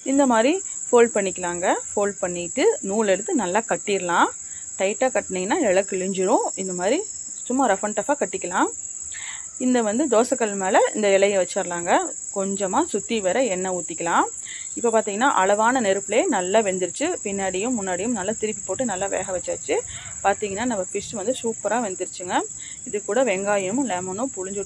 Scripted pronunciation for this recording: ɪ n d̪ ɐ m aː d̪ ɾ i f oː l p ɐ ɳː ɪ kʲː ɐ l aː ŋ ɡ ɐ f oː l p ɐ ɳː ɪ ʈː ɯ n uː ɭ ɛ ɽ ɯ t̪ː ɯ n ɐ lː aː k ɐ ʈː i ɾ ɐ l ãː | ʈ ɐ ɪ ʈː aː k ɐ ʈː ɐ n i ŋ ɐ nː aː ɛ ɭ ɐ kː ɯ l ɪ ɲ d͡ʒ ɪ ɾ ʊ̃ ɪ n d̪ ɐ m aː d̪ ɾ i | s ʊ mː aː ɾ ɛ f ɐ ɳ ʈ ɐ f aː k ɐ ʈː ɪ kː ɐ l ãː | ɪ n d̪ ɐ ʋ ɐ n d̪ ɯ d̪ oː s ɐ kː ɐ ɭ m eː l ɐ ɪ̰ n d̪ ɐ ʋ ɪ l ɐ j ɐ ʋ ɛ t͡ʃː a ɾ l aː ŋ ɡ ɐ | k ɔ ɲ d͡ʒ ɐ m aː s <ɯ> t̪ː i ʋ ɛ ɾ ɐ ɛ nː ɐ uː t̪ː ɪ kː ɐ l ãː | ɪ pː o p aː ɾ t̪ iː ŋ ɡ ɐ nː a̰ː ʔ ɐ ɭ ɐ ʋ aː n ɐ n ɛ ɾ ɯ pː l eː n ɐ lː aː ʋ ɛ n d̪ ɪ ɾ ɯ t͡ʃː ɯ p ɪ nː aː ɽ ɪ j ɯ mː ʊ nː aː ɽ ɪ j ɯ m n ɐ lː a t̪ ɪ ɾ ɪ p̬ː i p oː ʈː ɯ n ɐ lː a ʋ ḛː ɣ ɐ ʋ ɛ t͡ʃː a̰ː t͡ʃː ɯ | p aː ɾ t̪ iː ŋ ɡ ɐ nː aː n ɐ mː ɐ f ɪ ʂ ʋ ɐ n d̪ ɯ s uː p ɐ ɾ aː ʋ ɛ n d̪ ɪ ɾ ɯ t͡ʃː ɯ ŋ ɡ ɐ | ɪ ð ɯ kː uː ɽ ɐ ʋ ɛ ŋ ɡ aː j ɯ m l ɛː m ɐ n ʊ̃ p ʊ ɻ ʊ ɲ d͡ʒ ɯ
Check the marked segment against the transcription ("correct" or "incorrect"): incorrect